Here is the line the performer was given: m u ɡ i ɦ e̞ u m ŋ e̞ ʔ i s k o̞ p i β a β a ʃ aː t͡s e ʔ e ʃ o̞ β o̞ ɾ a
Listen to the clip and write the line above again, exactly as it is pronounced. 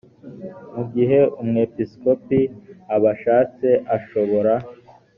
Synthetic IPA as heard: m u ɡ i ɦ e̞ u m ŋ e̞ p i s k o̞ p i a β a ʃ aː t͡s e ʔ a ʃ o̞ β o̞ ɾ a